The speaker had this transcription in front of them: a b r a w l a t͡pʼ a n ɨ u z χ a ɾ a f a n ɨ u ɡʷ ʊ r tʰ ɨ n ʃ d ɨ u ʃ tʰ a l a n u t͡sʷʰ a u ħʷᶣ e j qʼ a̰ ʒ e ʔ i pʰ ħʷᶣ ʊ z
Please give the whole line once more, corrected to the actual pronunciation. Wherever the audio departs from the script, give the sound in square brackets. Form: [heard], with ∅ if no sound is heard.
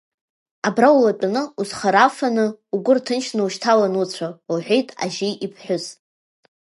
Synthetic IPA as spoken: a b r a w l a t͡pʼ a n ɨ u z χ a ɾ a f a n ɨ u ɡʷ ʊ r tʰ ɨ n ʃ [n] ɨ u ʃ tʰ a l a n u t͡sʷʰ a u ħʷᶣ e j [tʼ] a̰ ʒ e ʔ i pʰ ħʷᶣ ʊ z